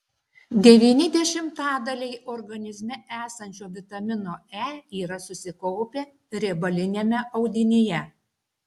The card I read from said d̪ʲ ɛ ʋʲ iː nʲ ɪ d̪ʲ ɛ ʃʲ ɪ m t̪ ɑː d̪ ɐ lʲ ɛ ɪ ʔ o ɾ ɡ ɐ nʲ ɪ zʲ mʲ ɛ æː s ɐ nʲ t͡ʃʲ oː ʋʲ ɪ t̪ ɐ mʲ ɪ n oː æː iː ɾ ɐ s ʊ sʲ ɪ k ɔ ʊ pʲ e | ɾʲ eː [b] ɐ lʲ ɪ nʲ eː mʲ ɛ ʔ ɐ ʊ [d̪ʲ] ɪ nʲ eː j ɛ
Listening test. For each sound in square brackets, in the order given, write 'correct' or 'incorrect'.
correct, correct

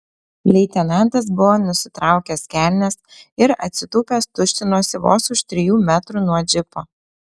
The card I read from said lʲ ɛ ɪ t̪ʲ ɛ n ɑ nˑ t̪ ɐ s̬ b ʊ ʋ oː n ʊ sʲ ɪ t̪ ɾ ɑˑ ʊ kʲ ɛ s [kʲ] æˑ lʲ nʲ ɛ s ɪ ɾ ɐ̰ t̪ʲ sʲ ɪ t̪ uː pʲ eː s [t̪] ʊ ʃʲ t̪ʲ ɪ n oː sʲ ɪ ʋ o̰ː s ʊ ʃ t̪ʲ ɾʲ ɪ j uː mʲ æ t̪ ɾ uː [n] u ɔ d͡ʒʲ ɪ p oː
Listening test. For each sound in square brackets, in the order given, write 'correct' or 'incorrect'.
correct, correct, correct

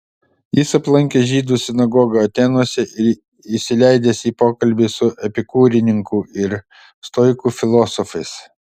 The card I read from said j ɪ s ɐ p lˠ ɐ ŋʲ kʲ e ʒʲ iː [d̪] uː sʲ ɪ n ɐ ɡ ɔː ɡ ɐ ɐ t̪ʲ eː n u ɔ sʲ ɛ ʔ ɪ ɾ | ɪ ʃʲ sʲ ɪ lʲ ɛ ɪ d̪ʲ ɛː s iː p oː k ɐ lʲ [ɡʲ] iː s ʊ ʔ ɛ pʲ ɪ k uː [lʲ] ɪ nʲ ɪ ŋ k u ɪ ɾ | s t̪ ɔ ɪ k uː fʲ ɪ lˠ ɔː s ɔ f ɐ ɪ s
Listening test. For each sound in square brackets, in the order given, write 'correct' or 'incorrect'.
correct, incorrect: bʲ, incorrect: ɾʲ

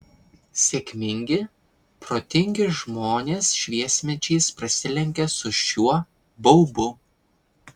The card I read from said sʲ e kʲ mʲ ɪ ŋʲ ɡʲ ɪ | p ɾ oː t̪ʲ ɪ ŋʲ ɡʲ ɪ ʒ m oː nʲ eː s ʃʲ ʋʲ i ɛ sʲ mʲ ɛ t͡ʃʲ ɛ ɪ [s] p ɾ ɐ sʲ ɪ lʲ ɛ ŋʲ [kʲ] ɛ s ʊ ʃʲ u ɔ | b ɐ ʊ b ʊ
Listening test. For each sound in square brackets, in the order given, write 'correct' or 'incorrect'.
correct, correct

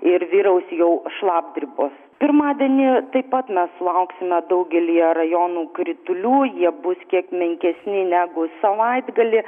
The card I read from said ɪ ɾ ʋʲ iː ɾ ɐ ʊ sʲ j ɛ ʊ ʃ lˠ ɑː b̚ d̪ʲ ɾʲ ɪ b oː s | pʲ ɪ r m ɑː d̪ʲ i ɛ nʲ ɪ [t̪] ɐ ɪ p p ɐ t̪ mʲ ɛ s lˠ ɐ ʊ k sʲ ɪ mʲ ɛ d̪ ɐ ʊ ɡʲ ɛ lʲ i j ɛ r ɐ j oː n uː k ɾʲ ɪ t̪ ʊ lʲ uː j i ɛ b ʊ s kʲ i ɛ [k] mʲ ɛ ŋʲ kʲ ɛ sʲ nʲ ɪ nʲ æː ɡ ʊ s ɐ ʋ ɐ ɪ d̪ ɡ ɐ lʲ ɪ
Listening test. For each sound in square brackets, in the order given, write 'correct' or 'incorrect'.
correct, correct

